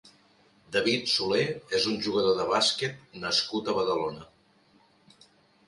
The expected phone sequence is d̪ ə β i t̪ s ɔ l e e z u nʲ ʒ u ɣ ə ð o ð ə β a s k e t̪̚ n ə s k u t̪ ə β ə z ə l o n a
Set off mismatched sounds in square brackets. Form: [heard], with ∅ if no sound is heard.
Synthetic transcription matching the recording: d̪ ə β i t̪ s [u] l e e z u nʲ ʒ u ɣ ə ð o ð ə β a s k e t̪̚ n ə s k u t̪ ə β ə [ð] ə l o n [ə]